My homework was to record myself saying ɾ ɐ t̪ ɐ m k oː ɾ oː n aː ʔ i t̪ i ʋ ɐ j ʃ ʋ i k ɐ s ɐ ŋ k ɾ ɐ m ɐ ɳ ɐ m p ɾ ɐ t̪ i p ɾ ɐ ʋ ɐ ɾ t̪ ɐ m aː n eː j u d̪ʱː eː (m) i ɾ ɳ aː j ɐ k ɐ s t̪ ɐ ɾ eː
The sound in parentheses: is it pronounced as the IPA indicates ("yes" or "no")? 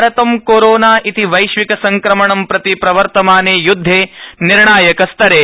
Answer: no